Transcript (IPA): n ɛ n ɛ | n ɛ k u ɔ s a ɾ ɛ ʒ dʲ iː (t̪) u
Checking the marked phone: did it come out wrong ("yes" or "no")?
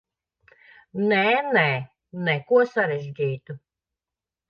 no